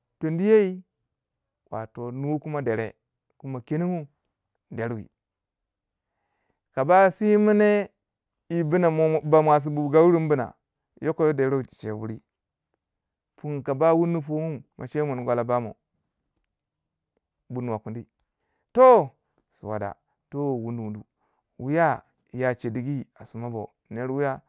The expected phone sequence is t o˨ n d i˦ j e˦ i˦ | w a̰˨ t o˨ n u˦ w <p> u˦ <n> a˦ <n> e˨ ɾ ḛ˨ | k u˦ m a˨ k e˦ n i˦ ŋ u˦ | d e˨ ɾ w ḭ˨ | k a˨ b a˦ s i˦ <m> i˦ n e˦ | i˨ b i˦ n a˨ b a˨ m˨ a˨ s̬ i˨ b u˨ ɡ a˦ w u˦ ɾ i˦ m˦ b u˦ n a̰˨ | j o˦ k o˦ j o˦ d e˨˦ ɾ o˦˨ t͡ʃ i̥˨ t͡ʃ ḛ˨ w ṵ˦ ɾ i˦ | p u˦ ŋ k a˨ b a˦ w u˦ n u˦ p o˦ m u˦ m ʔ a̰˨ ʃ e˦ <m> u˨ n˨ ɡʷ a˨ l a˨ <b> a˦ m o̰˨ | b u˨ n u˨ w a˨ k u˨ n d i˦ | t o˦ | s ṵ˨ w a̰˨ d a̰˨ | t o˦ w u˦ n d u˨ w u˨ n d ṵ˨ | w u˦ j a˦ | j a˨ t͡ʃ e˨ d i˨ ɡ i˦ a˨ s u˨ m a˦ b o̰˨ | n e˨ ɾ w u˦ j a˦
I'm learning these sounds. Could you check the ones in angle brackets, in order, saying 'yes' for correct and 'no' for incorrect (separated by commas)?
no, no, no, yes, yes, yes